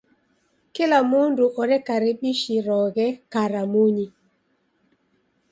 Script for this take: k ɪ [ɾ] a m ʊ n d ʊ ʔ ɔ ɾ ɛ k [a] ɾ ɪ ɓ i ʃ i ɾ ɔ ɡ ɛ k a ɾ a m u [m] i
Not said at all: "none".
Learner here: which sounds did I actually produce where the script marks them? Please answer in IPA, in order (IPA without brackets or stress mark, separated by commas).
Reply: l, a, ɲ